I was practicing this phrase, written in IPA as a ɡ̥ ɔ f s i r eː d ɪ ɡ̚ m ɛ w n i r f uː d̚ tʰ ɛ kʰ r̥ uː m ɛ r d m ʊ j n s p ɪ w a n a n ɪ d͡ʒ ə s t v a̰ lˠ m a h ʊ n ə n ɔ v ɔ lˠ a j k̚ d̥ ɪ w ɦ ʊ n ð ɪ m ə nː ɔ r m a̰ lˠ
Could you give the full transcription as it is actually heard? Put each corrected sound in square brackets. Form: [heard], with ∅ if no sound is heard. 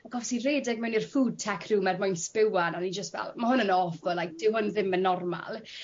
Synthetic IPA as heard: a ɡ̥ ɔ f s i r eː d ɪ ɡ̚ m ɛ w n i r f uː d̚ tʰ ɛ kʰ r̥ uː m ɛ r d m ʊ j n s p ɪ w a n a n [i] d͡ʒ ə s t v [ɛ̰] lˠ m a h ʊ n ə n ɔ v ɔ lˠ a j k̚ d̥ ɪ w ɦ ʊ n ð ɪ m ə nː ɔ r m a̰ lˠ

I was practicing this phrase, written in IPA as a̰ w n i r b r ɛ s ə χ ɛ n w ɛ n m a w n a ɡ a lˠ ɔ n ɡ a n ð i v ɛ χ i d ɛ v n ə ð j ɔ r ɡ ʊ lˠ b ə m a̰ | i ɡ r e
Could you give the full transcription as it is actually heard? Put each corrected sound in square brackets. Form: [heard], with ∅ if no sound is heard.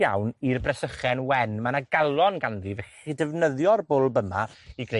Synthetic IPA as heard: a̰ w n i r b r ɛ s ə χ ɛ n w ɛ n m a [∅] n a ɡ a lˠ ɔ n ɡ a n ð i v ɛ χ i d ɛ v n ə ð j ɔ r [b] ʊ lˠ b ə m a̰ | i ɡ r e

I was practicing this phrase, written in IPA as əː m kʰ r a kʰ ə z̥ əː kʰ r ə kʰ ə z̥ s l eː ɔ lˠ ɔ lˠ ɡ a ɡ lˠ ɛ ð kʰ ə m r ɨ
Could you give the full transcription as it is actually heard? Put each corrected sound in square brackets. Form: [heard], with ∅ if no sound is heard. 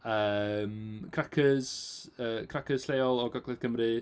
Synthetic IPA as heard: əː m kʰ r a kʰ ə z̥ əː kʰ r [a] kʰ ə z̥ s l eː ɔ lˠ ɔ [∅] ɡ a ɡ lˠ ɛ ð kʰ ə m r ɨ

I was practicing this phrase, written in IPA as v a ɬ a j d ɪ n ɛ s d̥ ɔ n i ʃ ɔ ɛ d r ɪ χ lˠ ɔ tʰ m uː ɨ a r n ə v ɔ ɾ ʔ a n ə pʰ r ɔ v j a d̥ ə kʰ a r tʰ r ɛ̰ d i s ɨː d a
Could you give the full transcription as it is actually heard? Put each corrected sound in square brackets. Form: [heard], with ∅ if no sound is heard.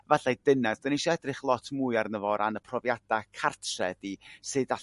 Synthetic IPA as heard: v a ɬ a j d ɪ n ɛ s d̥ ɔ n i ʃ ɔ ɛ d r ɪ χ lˠ ɔ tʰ m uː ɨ a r n ə v ɔ ɾ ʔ a n ə pʰ r ɔ v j a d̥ [a] kʰ a r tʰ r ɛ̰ d i s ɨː d a

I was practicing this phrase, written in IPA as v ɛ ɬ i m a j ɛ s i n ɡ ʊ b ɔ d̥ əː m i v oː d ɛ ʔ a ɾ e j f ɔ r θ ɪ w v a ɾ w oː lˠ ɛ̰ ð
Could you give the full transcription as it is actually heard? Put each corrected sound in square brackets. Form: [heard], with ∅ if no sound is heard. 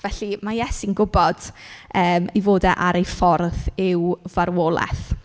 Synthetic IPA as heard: v ɛ ɬ i m a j ɛ s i n ɡ ʊ b ɔ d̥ əː m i v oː d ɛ ʔ a ɾ e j f ɔ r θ ɪ w v a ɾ w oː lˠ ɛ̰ [θ]

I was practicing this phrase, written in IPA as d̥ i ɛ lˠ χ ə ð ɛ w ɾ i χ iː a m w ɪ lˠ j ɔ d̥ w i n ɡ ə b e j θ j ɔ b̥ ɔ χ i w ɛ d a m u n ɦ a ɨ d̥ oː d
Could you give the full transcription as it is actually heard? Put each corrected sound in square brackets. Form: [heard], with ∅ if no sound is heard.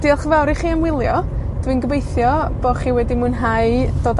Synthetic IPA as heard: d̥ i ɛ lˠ χ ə [v] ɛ w ɾ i χ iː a m w ɪ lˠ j ɔ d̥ w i n ɡ ə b e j θ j ɔ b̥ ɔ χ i w ɛ d [i] m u n ɦ a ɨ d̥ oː d

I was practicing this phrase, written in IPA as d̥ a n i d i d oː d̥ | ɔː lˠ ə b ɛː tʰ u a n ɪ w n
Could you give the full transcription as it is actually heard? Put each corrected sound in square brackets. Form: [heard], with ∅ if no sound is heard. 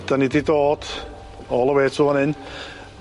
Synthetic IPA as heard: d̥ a n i d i d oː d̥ | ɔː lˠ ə [w] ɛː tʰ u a n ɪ [∅] n

